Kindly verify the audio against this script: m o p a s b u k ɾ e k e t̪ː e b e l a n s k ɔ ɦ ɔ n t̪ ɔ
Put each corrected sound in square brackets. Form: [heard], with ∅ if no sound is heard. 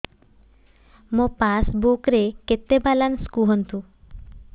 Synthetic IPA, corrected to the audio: m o p a s b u k ɾ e k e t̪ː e b [a] l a n s k [u] ɦ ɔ n t̪ [u]